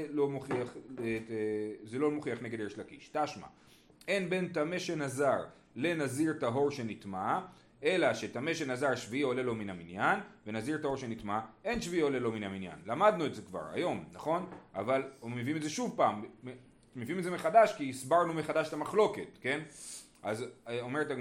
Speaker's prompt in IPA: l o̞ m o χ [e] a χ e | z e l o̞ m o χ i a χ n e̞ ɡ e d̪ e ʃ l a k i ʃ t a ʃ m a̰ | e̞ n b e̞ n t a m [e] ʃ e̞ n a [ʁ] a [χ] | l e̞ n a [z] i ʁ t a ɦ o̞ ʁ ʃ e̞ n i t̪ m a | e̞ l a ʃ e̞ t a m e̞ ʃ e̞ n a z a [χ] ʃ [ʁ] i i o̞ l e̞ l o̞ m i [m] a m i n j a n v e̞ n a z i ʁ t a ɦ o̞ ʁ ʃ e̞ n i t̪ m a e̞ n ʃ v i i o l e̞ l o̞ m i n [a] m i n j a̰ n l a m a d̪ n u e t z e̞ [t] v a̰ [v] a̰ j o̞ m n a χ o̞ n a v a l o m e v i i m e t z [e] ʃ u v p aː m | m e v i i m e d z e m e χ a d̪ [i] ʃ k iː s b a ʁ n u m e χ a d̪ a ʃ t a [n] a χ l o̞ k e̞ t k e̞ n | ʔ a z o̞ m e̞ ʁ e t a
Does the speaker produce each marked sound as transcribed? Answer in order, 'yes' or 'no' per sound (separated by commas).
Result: no, yes, no, no, yes, no, no, no, yes, no, no, yes, no, no